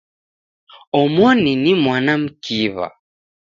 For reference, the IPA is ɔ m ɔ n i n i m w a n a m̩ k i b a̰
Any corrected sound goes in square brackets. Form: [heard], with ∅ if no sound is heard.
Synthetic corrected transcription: ɔ m ɔ n i n i m w a n a m̩ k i [β] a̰